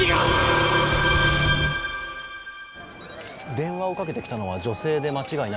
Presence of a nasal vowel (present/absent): present